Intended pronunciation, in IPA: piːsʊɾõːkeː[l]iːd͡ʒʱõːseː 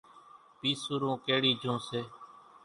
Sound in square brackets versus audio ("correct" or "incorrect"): incorrect